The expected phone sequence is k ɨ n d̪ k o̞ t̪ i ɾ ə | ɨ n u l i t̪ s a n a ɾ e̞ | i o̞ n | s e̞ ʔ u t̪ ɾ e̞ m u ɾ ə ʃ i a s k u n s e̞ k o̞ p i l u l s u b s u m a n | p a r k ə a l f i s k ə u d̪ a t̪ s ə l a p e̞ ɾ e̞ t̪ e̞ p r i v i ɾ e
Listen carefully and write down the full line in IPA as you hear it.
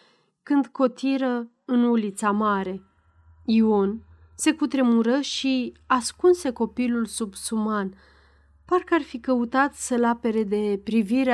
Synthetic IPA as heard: k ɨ n d̪ k o̞ t̪ i ɾ ə | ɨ n u l i t̪ s a m a ɾ e̞ | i o̞ n | s e̞ k u t̪ ɾ e̞ m u ɾ ə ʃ i a s k u n s e̞ k o̞ p i l u l s u b s u m a n | p a r k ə a r f i k ə u t̪ a t̪ s ə l a p e̞ ɾ e̞ d̪ e̞ p ɾ i v i ɾ e